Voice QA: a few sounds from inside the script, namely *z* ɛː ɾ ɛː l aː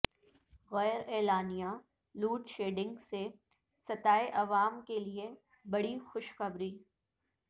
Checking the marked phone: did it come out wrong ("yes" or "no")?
yes